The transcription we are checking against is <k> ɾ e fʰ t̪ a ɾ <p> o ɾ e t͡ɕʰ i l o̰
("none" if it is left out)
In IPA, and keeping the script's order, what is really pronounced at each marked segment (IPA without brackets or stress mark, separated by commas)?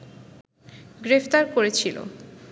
ɡ, k